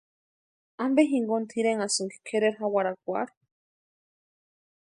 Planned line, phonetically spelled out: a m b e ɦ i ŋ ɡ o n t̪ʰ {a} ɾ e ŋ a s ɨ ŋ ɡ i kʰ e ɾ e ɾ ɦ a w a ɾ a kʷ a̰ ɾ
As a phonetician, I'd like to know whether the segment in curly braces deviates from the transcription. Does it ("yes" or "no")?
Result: yes